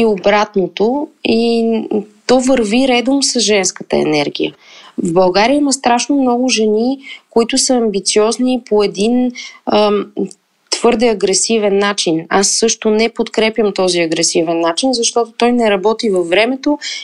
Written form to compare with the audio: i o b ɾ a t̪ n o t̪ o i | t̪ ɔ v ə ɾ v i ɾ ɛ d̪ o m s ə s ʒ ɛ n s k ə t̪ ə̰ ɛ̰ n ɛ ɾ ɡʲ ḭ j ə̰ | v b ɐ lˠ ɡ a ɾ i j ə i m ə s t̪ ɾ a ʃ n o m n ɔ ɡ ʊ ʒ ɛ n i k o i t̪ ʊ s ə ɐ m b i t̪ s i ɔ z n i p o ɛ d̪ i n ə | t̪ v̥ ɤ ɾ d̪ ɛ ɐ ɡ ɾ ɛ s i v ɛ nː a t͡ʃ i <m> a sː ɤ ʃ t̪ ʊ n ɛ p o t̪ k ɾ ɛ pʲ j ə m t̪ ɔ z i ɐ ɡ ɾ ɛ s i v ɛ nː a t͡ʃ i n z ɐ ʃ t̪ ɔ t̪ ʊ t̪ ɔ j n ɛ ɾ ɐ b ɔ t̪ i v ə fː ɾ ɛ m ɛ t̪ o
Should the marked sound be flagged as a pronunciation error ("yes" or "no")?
yes